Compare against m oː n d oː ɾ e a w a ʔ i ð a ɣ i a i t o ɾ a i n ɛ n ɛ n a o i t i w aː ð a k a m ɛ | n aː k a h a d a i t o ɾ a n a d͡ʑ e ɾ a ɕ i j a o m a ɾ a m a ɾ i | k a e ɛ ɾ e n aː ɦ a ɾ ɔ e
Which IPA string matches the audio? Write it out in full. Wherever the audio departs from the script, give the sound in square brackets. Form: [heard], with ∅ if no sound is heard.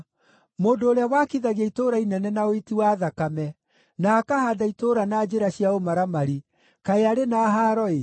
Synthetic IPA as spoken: m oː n d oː ɾ e a w a [k] i ð a ɣ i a i t o ɾ a i n ɛ n ɛ n a o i t i w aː ð a k a m ɛ | n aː k a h a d a i t o ɾ a n a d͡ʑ e ɾ a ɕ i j a o m a ɾ a m a ɾ i | k a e [a] ɾ e n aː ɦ a ɾ ɔ e